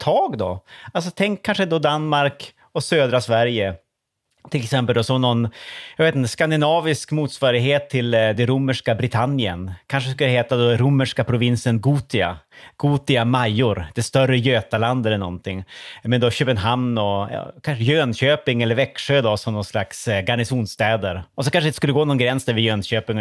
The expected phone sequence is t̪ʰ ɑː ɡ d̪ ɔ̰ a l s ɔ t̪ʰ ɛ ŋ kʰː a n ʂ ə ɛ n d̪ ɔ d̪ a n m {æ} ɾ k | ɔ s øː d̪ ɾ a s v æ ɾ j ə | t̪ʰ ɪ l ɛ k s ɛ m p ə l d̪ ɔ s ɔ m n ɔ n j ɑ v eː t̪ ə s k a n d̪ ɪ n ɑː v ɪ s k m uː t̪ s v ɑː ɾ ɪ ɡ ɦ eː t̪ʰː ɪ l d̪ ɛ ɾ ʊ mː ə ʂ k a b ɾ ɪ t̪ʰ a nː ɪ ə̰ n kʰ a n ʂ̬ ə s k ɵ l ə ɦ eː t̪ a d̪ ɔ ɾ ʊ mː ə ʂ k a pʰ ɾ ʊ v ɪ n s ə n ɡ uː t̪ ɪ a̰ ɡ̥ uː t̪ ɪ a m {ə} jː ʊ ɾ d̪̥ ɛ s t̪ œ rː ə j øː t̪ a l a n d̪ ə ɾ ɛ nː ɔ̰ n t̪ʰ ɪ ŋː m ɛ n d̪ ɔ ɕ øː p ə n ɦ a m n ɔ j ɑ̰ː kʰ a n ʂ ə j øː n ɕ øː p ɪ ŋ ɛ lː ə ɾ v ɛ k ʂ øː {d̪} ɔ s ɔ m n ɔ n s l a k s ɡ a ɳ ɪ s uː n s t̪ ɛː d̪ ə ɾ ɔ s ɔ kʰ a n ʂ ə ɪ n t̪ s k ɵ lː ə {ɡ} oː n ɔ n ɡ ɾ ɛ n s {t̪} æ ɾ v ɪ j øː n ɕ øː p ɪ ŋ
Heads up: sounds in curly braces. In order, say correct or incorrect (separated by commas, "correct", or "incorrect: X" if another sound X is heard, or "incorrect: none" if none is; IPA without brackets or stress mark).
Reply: incorrect: a, incorrect: a, correct, correct, incorrect: d̪